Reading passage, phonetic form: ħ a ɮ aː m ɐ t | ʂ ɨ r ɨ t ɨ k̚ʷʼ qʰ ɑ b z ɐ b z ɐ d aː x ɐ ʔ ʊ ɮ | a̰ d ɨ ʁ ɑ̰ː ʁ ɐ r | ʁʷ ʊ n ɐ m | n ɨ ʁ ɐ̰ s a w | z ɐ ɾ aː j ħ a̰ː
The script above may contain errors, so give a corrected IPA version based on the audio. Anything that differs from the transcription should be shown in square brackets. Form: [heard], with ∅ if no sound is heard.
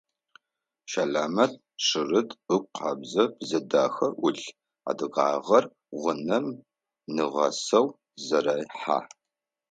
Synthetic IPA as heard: [ʃ] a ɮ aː m ɐ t | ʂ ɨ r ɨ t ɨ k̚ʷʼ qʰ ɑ b z ɐ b z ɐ d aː x ɐ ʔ ʊ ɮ | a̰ d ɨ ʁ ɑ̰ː ʁ ɐ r | ʁʷ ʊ n ɐ m | n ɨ ʁ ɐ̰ s [ɐ] w | z ɐ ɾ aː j ħ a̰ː